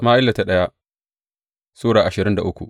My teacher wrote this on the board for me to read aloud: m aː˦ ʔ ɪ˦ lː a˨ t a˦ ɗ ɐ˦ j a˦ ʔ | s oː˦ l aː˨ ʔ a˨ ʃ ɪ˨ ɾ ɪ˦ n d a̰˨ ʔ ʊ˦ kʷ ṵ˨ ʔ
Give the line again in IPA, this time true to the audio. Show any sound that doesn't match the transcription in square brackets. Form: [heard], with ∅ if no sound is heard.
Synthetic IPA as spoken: m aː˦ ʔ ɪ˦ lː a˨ t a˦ ɗ ɐ˦ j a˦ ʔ | s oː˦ [ɽ] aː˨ ʔ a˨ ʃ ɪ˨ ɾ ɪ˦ n d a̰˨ ʔ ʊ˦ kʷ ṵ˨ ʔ